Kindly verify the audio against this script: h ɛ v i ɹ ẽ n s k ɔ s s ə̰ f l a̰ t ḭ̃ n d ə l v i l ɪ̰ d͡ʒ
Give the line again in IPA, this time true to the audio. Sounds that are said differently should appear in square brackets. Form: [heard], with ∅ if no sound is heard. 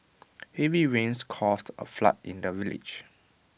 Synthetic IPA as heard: h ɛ v i ɹ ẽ n s [kʰ] ɔ s [t] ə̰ f l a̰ t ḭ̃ n d ə [∅] v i l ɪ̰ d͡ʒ